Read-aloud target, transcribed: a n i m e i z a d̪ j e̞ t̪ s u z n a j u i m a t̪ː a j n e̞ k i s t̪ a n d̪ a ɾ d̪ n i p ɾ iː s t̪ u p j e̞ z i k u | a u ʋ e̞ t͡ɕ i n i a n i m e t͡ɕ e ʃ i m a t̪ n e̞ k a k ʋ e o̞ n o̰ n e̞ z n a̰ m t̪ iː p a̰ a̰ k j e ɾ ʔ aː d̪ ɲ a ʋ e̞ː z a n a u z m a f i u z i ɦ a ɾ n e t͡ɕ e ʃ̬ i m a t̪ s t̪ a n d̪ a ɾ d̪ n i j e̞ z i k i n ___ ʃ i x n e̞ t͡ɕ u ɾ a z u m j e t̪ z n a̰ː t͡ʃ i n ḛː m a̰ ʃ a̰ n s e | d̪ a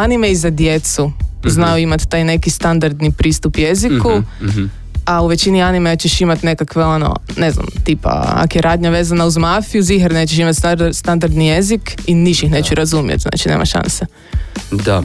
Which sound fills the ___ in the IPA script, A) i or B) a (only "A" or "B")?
A